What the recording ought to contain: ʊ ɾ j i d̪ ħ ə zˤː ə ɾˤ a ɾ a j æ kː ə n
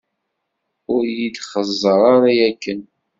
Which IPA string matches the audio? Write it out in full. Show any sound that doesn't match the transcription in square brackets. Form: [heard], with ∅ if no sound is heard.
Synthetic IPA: ʊ ɾ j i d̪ [χ] ə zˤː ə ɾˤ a ɾ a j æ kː ə n